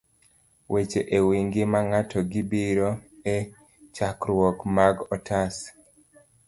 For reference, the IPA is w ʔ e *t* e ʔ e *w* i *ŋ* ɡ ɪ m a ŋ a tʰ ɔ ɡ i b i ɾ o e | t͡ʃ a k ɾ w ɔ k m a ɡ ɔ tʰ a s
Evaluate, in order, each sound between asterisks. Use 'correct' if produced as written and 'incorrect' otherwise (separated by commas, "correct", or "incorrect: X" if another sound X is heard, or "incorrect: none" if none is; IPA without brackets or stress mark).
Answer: incorrect: t͡ʃ, correct, correct